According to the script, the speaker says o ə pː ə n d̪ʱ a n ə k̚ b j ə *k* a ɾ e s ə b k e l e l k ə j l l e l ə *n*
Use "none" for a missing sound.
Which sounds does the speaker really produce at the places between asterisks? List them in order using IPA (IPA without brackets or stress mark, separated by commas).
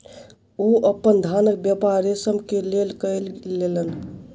p, n